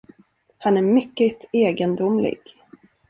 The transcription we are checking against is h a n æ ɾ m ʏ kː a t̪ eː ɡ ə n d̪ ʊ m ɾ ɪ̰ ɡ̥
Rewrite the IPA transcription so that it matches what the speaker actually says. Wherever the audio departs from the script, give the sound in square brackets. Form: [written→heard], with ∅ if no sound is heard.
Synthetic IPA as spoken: h a n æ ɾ m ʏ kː [a→ə] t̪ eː ɡ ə n d̪ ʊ m [ɾ→l] ɪ̰ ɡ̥